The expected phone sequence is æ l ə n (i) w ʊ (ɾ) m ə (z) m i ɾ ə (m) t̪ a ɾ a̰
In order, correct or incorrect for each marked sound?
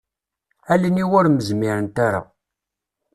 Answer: correct, correct, correct, incorrect: n

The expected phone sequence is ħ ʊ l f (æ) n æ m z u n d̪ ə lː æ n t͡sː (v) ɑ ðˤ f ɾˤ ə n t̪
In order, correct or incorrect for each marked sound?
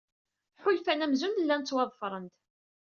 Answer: correct, incorrect: w

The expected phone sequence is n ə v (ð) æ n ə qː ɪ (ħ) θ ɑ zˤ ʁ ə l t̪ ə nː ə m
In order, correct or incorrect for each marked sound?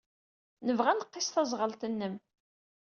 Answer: incorrect: ʁ, incorrect: s

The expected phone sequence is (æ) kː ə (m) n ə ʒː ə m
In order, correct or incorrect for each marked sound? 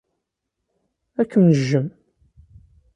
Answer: correct, correct

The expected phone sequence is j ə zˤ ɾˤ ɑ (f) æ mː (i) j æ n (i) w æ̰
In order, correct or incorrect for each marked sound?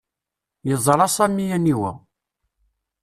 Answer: incorrect: s, correct, correct

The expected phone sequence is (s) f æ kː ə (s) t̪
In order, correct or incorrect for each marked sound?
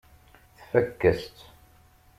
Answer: incorrect: θ, correct

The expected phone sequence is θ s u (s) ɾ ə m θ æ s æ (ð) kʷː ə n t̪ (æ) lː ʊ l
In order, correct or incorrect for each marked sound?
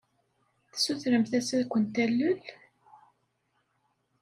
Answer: incorrect: θ, correct, correct

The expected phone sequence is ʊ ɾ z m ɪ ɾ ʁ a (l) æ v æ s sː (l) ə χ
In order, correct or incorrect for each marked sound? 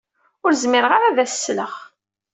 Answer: incorrect: ɾ, correct

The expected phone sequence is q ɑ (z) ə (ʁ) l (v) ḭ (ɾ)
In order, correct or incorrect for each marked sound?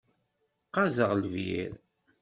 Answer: correct, correct, correct, correct

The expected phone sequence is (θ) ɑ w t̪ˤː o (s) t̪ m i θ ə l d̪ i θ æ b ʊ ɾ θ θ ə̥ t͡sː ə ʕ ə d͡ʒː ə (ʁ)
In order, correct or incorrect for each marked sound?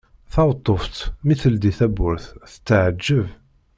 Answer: correct, incorrect: f, incorrect: v

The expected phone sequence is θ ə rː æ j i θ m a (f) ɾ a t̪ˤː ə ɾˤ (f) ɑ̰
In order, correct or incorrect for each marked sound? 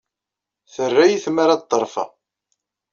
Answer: incorrect: none, correct

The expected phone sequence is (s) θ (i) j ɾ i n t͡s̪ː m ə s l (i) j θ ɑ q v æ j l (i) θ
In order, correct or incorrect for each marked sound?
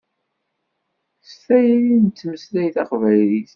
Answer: correct, incorrect: æ, incorrect: æ, correct

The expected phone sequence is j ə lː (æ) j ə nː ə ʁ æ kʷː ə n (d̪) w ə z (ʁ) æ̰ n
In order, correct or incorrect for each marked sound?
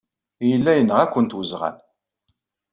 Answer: correct, incorrect: t̪, correct

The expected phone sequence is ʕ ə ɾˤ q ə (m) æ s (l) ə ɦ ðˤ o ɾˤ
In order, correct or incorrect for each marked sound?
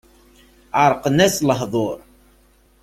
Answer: incorrect: n, correct

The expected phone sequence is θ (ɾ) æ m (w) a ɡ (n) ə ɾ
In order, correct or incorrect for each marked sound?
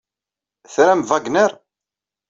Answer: correct, incorrect: v, correct

